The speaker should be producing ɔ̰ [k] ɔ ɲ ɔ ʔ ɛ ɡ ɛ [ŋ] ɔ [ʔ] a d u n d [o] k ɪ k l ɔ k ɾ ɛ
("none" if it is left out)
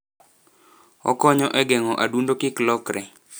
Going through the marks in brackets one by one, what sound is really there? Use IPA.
k, ŋ, ʔ, o

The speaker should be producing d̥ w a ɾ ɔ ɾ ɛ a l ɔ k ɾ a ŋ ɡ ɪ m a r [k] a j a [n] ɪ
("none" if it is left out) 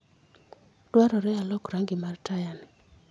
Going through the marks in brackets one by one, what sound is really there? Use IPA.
t, n

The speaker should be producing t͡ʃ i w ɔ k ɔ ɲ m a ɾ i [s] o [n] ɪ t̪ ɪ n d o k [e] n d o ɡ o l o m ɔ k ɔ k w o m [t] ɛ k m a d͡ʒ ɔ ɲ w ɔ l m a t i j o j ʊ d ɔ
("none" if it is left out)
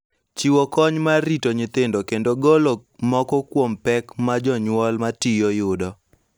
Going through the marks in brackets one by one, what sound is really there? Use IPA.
t, ɲ, e, p

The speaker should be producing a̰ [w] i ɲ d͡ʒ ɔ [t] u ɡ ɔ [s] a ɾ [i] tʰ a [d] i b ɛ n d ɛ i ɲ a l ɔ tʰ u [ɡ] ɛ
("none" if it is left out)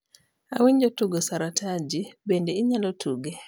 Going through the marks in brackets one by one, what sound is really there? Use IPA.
w, t, s, a, d͡ʒ, ɡ

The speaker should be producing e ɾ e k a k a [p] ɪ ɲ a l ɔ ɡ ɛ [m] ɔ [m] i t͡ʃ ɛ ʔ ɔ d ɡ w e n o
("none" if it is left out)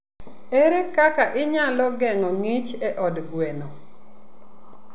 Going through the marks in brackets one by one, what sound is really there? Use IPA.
ʔ, ŋ, ŋ

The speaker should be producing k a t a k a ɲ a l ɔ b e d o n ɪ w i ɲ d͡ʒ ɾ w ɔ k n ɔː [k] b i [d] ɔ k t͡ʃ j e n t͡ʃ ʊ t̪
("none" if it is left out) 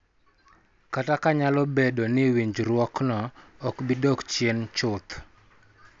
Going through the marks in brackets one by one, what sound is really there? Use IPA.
k, d

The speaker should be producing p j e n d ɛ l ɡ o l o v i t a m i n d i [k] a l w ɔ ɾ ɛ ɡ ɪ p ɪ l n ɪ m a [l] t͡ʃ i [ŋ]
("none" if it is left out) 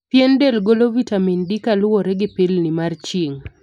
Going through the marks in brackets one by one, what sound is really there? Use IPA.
k, r, ŋ

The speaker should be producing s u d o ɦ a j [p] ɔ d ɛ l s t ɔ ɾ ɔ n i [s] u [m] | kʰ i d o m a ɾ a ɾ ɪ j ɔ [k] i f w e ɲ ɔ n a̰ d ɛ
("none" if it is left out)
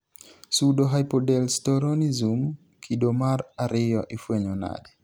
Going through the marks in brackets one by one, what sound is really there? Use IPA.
p, z, m, ʔ

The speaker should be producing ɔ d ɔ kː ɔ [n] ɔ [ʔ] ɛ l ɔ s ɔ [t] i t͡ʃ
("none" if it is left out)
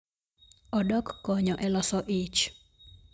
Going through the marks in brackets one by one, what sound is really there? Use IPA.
ɲ, ʔ, ʔ

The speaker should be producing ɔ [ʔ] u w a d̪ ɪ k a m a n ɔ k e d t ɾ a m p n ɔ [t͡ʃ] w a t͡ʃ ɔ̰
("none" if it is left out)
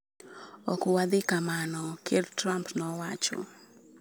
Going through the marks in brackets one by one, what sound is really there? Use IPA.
k, none

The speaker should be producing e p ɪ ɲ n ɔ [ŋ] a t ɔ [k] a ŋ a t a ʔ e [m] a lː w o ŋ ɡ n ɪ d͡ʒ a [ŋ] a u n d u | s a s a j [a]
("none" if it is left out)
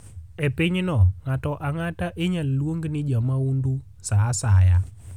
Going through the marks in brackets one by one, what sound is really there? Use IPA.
ŋ, ʔ, ɲ, m, a

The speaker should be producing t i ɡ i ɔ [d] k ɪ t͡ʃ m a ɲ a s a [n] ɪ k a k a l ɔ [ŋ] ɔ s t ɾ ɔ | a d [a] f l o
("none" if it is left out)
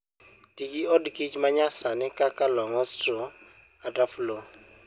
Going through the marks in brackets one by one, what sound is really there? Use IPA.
d, n, ŋ, a

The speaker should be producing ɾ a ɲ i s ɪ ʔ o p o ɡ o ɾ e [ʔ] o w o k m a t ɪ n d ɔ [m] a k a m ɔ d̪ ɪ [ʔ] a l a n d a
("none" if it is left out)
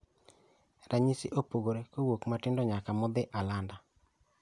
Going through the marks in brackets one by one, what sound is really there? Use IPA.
k, ɲ, ʔ

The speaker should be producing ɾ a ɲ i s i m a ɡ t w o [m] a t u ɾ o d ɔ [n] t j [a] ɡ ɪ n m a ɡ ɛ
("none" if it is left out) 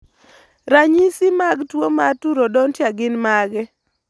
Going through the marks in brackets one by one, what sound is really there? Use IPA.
m, n, a

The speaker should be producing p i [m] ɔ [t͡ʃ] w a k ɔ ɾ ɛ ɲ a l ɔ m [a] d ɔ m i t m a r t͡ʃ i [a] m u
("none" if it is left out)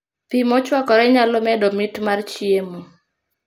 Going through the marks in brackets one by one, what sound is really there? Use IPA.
m, t͡ʃ, ɛ, e

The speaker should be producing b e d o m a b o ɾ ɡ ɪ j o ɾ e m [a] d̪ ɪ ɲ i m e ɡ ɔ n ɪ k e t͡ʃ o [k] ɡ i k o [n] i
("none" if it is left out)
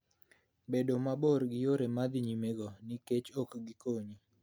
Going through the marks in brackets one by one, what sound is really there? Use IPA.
a, k, ɲ

